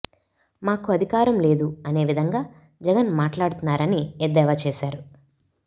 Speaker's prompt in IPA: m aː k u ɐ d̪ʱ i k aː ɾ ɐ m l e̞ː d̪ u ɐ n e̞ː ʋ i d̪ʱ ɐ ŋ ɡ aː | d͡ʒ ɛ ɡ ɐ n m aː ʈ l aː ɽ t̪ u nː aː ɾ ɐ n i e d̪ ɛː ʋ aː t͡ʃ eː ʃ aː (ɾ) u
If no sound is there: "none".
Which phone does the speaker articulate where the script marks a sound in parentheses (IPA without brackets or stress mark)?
ɾ